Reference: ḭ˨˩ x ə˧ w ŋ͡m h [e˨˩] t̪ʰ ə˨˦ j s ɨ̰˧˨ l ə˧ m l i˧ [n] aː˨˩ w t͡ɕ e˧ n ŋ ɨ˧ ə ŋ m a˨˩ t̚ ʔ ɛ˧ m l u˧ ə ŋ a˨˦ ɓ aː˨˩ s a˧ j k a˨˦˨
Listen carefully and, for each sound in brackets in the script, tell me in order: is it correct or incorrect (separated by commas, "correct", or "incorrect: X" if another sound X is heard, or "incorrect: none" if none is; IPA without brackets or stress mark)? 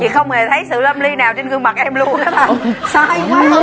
correct, correct